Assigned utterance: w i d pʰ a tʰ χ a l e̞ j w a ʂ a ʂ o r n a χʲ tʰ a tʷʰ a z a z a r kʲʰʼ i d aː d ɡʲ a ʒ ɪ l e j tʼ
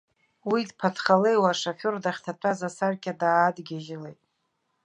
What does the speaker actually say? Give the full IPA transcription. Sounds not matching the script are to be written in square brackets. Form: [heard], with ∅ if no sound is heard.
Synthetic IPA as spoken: w i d pʰ a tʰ χ a l e̞ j w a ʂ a [f] o r [d] a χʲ tʰ a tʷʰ a z a [s] a r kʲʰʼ [a] d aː d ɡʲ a ʒ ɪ l e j tʼ